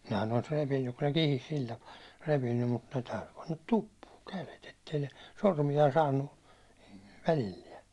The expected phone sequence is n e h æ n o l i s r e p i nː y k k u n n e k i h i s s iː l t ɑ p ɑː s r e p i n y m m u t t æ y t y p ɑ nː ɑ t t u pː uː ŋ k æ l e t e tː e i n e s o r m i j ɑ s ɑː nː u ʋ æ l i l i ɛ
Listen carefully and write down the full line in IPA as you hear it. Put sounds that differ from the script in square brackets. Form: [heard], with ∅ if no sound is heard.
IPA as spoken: n e h æ n o l i s r e p i nː y k k u n n e k i h i s s [i] l t ɑ p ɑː [∅] r e p i [nː] y m m u t t æ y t y p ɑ nː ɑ t t u pː uː ŋ k æ l e t e tː e i n e s o r m i j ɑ s ɑː nː u ʋ æ l i [lː] i ɛ